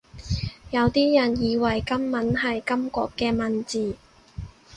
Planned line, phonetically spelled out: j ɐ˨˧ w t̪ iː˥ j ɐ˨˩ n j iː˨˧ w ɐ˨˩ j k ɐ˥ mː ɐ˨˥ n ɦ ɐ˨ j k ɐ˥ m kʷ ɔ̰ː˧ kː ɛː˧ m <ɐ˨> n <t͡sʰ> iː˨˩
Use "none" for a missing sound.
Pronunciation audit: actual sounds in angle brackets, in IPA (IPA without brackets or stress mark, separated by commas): ɐ˨, t͡s